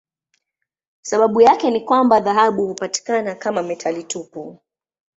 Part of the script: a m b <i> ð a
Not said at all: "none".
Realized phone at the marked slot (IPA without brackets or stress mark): a